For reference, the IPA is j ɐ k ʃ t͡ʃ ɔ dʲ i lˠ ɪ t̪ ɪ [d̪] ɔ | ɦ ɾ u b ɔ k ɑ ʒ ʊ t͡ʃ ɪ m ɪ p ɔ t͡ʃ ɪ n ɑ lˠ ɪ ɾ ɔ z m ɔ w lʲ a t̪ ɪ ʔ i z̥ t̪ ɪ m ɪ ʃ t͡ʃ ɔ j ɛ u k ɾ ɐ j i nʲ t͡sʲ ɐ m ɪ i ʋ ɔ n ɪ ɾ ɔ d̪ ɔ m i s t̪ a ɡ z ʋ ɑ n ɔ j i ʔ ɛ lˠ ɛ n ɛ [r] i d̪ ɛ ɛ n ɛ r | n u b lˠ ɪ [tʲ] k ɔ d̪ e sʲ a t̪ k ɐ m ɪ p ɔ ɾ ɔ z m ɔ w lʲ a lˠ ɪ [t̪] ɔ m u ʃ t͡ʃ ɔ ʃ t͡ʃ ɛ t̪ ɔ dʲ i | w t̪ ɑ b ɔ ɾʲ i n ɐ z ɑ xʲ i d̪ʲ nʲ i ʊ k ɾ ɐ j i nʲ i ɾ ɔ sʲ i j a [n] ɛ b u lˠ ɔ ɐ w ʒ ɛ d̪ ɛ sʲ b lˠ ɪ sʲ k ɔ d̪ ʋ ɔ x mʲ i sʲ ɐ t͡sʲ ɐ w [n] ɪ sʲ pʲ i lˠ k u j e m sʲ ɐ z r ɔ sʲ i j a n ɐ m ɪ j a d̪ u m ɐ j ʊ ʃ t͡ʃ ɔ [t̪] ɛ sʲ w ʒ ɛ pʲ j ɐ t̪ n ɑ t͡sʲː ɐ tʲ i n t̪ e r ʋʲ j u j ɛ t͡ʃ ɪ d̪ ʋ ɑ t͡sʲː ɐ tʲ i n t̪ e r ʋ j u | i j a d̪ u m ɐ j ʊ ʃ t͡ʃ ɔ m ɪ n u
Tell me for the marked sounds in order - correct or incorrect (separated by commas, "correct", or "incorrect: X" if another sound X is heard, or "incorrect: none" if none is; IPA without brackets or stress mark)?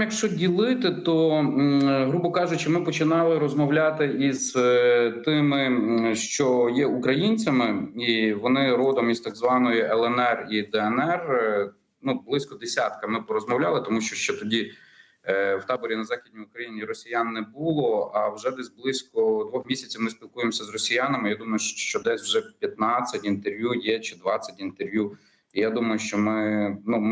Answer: incorrect: t̪, correct, incorrect: sʲ, correct, incorrect: nː, incorrect: m, incorrect: d̪